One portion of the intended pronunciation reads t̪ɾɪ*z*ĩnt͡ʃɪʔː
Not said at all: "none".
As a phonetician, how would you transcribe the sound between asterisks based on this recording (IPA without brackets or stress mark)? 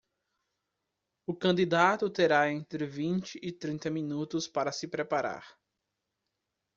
v